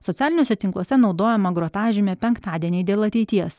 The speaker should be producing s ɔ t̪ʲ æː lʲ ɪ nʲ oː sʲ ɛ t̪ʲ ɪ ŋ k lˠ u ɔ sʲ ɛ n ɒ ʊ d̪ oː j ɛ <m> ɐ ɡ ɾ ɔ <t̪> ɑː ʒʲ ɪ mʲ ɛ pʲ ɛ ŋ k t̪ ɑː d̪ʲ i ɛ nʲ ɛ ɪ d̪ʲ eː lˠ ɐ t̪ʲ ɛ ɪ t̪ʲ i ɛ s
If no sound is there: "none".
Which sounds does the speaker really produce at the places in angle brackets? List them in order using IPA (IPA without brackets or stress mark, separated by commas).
m, t̪